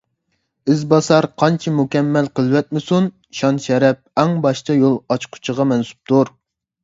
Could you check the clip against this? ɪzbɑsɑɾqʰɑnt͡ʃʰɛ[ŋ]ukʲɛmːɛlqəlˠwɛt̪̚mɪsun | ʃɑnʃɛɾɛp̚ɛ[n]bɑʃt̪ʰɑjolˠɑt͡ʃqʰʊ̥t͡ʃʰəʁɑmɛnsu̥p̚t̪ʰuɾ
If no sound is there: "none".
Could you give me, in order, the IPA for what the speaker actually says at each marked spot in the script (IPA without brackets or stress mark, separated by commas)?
m, ŋ